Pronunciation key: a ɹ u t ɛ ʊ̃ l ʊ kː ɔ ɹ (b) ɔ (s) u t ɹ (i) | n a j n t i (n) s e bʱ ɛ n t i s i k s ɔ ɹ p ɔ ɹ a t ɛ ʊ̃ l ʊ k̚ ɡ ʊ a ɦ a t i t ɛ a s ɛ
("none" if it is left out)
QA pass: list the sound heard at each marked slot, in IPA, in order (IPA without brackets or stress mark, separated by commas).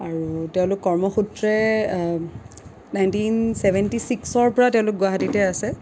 m, x, ɛ, n